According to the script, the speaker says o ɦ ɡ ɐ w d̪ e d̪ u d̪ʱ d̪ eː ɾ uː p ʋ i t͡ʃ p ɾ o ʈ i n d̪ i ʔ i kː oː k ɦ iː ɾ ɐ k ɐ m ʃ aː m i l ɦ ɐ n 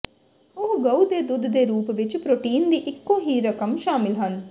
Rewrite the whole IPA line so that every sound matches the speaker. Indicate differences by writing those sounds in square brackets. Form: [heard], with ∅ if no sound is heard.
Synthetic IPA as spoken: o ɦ ɡ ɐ w d̪ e d̪ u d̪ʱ d̪ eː ɾ uː p ʋ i t͡ʃ p ɾ o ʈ [iː] n d̪ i ʔ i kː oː [∅] ɦ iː ɾ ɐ k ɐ m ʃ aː m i l ɦ ɐ n